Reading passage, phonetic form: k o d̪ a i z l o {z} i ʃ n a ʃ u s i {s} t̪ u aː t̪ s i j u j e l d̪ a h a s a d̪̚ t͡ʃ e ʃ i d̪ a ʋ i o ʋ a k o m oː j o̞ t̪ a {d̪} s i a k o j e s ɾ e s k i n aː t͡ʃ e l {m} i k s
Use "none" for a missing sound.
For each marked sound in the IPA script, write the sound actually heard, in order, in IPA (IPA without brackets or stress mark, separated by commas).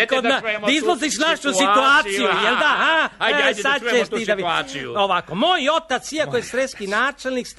z, none, t̪, n